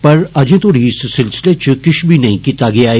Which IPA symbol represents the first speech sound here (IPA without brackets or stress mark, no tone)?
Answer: p